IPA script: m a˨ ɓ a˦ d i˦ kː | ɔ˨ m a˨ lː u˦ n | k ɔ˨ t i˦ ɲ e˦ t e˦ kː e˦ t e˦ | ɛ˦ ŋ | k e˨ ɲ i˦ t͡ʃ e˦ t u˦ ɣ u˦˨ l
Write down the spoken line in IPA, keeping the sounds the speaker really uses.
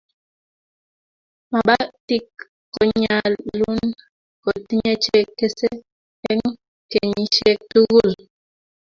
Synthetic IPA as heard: m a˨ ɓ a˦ t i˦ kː | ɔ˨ ɲ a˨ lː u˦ n | k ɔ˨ t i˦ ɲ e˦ t͡ʃ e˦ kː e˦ s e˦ | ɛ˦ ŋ | k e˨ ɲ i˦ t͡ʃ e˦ t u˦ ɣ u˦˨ l